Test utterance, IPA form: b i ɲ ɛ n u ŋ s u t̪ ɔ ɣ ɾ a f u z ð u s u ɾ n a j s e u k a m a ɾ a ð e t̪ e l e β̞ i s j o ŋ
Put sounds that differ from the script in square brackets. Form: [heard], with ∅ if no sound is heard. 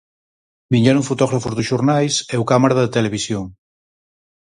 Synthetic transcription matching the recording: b i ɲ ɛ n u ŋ [f] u t̪ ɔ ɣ ɾ a f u z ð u [ʃ] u ɾ n a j s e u k a m a ɾ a ð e t̪ e l e β̞ i s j o ŋ